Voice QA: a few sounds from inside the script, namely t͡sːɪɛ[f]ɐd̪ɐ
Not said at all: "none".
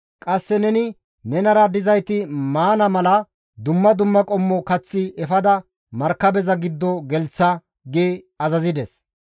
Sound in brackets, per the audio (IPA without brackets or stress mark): f